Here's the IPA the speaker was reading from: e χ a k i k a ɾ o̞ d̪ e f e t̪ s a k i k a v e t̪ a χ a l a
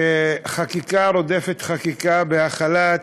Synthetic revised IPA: e χ a k i k a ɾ o̞ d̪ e f e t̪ χ a k i k a b e a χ a l a